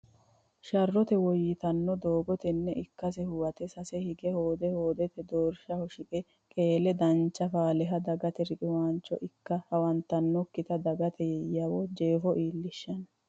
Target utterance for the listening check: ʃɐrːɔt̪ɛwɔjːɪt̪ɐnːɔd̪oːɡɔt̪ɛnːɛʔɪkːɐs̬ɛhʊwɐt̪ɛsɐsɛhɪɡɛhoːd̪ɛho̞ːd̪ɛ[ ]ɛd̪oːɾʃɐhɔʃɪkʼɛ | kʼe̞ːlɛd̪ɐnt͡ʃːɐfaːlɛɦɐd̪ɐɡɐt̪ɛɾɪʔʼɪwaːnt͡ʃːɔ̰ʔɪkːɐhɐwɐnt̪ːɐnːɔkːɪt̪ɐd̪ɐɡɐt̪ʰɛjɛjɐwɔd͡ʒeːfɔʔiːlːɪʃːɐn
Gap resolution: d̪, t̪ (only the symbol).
t̪